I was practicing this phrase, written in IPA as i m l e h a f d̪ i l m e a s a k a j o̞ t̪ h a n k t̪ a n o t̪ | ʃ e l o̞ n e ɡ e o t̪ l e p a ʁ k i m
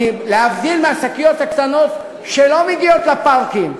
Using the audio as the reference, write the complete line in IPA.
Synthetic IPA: i m l e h a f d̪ i l m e a s a k i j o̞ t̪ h a k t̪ a n o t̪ | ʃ e l o̞ m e ɡ i o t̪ l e p a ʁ k i m